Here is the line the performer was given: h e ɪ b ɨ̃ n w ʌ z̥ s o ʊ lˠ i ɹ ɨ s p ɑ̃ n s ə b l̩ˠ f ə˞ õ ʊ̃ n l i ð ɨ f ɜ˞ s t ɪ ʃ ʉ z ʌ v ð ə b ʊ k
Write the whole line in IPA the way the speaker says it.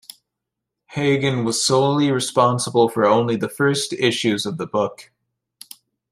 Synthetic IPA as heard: h e ɪ ɡ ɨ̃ n w ʌ z̥ s o ʊ lˠ i ɹ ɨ s p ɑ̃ n s ə b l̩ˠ f ə˞ õ ʊ̃ n l i ð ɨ f ɜ˞ s t ɪ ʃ ʉ z ʌ v ð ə b ʊ k